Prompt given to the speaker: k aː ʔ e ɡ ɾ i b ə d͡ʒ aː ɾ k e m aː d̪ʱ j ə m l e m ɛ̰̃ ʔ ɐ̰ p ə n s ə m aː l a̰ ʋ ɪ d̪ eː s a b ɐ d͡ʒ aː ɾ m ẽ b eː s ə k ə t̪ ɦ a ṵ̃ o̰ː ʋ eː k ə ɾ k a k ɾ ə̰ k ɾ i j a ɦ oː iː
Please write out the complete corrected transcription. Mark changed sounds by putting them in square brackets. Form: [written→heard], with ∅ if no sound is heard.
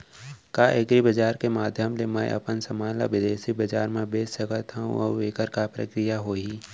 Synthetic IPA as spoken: k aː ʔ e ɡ ɾ i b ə d͡ʒ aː ɾ k e m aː d̪ʱ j ə m l e m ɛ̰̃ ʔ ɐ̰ p ə n s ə m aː l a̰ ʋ ɪ d̪ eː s [a→i] b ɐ d͡ʒ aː ɾ m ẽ b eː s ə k ə t̪ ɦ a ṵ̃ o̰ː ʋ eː k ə ɾ k a [k→p] ɾ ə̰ k ɾ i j a ɦ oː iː